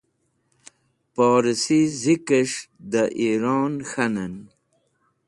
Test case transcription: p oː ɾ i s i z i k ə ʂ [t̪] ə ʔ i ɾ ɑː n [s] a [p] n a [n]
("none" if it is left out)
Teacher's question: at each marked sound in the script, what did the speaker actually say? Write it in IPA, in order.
d̪, x, none, n

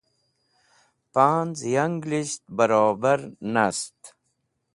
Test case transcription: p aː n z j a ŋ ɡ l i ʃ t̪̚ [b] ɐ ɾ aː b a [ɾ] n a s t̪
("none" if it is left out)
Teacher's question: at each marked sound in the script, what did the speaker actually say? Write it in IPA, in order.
b, ɾ

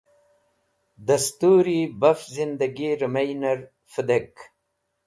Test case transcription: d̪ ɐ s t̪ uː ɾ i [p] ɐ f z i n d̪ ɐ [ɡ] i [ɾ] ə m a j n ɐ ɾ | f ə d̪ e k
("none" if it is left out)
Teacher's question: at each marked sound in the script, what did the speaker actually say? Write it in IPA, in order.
b, ɡ, ɾ

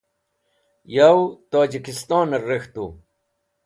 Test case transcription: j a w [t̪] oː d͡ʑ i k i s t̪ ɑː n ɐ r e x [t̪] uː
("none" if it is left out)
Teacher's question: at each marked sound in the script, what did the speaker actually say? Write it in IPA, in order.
t̪, t̪

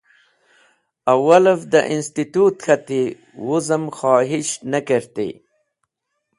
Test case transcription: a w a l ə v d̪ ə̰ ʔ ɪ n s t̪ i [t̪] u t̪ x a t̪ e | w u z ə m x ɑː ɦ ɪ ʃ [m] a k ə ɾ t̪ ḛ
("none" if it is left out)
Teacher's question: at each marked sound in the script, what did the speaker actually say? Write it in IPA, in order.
t̪, n

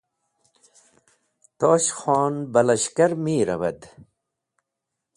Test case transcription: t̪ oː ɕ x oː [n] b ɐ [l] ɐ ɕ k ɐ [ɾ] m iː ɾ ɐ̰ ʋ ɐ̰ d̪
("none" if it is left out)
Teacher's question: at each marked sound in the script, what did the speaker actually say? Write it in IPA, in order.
n, l, ɾ

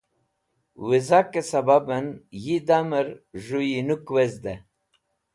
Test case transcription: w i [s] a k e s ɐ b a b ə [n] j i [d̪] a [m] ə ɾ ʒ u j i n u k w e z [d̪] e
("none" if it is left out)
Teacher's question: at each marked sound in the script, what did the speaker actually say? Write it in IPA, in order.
z, n, d̪, m, d̪

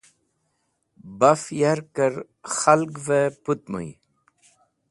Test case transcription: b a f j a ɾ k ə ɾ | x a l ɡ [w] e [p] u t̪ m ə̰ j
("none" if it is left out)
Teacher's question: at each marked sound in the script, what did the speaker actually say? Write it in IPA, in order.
v, p

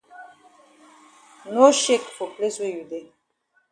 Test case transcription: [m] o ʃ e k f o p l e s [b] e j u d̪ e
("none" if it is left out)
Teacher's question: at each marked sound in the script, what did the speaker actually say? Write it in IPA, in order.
n, w

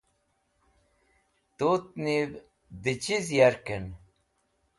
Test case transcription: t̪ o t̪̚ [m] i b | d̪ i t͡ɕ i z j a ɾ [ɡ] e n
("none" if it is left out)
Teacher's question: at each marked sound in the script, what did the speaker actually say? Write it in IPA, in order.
n, k

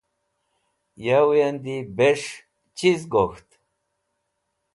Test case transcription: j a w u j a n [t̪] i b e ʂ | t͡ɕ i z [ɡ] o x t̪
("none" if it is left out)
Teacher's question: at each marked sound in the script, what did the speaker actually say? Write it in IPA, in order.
d̪, ɡ

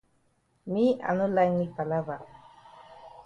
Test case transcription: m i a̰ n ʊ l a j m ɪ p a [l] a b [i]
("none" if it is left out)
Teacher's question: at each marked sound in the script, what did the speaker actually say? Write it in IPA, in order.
l, a

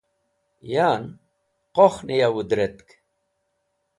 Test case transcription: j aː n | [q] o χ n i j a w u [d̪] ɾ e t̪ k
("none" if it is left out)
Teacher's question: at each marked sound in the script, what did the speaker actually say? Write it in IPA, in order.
q, d̪

